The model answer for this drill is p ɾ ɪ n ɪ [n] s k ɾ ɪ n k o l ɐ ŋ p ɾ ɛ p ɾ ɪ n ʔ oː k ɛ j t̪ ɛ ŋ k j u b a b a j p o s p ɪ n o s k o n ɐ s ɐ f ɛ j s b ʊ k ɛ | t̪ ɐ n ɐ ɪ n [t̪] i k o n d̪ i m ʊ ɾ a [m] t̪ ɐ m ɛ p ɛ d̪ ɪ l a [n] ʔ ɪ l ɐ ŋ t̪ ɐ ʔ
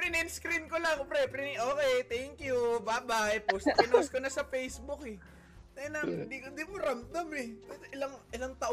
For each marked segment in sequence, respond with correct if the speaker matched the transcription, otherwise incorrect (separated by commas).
correct, incorrect, correct, incorrect